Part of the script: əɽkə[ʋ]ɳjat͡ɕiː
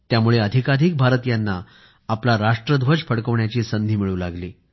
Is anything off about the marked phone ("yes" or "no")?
no